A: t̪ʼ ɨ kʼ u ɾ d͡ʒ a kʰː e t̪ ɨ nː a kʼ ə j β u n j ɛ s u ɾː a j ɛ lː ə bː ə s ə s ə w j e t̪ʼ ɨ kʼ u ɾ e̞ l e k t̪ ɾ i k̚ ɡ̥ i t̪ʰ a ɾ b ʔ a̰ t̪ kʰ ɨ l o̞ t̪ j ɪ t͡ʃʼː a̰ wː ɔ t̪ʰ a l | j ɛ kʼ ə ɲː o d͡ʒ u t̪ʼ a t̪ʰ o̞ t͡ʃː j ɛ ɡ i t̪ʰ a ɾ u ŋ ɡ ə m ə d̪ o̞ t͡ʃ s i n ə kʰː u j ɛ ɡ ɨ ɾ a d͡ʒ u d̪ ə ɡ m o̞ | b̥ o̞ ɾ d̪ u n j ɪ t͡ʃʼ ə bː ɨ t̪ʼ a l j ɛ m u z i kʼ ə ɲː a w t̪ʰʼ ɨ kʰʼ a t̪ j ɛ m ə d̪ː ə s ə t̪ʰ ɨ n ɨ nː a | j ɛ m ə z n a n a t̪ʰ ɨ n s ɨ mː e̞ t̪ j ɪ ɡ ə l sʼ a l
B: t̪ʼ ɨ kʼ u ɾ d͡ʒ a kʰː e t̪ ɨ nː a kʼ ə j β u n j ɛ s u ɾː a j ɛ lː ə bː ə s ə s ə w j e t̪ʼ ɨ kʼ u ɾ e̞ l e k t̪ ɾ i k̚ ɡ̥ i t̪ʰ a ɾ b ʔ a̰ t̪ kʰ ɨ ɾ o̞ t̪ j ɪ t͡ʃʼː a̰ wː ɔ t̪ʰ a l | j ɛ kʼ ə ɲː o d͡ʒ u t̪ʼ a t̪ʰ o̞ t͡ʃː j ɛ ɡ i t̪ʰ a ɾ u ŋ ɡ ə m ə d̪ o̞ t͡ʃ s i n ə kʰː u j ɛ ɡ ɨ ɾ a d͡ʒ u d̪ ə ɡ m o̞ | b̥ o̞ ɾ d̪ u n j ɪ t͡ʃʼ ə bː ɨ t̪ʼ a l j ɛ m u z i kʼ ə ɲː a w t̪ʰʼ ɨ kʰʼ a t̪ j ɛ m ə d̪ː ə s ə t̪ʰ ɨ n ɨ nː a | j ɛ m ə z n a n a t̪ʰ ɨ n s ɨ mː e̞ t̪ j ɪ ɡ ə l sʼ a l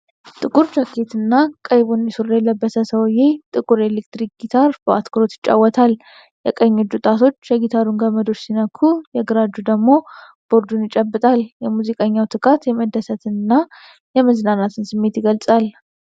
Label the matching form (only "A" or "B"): B